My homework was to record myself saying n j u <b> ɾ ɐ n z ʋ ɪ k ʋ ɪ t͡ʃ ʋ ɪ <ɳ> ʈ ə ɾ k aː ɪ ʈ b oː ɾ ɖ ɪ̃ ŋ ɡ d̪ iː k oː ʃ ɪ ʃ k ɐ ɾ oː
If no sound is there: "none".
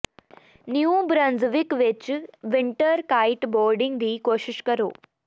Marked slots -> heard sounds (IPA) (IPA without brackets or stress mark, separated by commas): b, ɳ